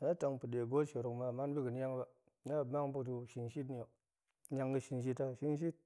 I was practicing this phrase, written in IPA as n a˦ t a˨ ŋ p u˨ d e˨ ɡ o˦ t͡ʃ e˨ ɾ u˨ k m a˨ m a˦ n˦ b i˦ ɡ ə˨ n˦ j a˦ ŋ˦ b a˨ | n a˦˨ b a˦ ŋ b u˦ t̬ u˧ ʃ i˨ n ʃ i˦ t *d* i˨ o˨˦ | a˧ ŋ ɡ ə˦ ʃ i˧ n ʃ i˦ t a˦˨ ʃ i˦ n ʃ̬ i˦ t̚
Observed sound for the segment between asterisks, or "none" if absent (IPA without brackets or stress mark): n